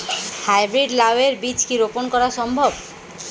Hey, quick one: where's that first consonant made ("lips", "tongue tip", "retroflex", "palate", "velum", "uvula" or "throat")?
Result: throat